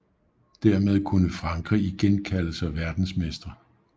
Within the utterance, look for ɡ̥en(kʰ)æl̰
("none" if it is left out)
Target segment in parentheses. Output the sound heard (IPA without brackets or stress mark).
kʰ